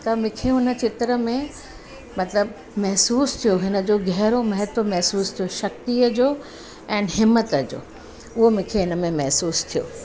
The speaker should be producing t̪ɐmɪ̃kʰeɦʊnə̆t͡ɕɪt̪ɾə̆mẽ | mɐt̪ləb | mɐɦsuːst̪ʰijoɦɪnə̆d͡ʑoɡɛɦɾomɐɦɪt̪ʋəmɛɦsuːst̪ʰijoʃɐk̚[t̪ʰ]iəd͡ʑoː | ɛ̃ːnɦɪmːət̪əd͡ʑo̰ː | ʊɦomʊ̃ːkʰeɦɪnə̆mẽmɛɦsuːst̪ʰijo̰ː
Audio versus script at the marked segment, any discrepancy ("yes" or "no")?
yes